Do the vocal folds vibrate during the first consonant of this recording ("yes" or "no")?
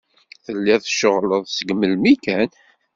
no